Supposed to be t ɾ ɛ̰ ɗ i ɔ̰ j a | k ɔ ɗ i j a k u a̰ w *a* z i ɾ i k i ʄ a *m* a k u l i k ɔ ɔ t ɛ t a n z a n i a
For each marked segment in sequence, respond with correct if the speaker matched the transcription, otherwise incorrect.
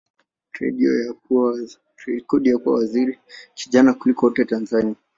correct, incorrect: n

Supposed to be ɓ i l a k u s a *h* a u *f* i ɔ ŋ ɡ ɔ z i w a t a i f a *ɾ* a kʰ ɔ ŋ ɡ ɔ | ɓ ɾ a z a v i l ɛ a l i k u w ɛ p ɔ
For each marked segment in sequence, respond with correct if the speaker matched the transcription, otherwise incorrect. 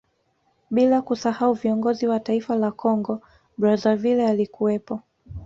correct, incorrect: v, incorrect: l

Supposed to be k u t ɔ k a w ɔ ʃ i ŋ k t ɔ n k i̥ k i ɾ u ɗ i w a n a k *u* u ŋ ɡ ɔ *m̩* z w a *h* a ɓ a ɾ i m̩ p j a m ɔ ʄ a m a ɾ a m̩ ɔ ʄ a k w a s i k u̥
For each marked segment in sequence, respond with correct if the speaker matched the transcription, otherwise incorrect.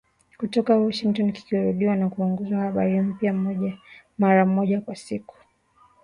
correct, incorrect: none, correct

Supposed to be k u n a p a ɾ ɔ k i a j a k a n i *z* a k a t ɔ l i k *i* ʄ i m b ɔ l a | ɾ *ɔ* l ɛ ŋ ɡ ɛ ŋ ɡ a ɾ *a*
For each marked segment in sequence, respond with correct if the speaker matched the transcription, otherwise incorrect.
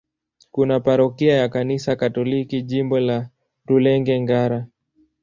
incorrect: s, correct, incorrect: u, correct

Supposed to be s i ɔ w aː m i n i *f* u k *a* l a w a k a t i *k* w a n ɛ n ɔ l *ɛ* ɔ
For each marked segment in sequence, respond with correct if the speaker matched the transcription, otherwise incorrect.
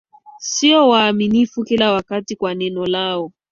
correct, incorrect: i, correct, incorrect: a

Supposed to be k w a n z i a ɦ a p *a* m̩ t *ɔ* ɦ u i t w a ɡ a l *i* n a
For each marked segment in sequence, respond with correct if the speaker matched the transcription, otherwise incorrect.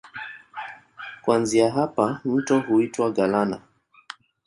correct, correct, incorrect: a

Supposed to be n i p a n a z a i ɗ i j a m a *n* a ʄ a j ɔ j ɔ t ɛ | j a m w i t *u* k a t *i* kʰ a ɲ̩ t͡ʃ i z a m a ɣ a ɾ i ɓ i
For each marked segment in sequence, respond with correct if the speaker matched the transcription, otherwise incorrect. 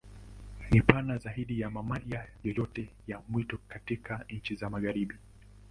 incorrect: m, incorrect: ɔ, correct

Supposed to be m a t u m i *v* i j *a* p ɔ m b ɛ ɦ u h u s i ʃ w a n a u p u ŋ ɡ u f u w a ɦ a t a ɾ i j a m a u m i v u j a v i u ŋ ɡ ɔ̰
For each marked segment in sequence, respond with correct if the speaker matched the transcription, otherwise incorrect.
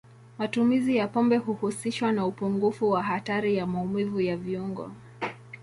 incorrect: z, correct

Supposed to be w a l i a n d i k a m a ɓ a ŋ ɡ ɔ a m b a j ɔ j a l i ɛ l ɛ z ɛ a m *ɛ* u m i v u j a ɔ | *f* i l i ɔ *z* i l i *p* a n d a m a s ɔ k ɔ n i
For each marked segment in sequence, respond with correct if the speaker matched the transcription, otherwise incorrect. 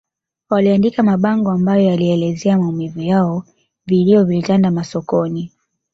incorrect: a, incorrect: v, incorrect: v, incorrect: t

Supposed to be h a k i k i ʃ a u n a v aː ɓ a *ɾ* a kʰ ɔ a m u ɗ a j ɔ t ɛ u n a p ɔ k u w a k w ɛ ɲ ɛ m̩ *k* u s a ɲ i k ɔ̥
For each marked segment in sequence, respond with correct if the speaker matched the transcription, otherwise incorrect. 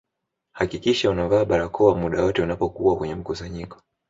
correct, correct

